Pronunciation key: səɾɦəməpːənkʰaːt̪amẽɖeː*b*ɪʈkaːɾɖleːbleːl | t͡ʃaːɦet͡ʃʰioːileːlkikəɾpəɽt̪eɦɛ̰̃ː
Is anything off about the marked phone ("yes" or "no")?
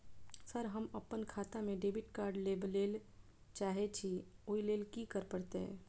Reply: no